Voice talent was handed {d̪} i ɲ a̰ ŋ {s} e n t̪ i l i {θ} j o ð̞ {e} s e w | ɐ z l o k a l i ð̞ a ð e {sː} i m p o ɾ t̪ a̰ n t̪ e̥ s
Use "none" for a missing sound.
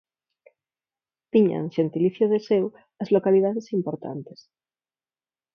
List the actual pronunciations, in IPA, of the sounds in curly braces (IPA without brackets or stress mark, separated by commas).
t̪, ʃ, θ, e, s